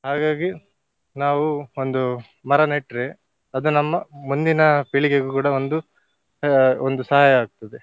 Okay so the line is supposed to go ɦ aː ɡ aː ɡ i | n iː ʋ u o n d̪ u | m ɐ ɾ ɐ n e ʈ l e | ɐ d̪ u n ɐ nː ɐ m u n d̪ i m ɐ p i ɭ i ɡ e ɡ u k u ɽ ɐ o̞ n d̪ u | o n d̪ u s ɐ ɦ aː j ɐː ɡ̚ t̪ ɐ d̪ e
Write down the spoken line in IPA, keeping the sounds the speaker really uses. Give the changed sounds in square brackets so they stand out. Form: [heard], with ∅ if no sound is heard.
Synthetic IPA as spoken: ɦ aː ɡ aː ɡ i | n [aː] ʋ u o n d̪ u | m ɐ ɾ ɐ n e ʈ [ɾ] e | ɐ d̪ u n ɐ [mː] ɐ m u n d̪ i [n] ɐ p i ɭ i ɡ e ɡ u k [uː] ɽ ɐ o̞ n d̪ u | o n d̪ u s ɐ ɦ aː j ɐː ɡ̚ t̪ ɐ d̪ e